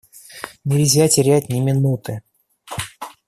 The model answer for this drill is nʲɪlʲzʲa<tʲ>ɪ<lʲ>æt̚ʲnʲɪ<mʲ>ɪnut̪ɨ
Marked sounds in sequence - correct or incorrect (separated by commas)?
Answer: correct, incorrect, correct